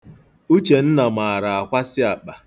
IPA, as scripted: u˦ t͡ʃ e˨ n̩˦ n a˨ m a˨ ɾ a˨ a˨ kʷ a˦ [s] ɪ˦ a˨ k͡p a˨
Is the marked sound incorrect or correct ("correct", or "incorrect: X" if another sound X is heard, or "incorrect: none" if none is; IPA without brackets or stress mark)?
correct